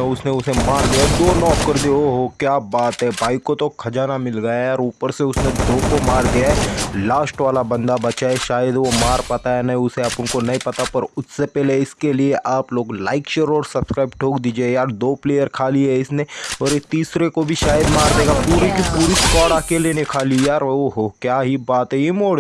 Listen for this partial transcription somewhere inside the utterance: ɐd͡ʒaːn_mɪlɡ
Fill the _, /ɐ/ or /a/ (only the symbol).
a